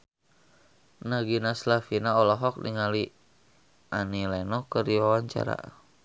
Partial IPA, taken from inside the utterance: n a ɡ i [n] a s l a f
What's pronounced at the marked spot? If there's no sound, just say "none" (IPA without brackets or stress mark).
n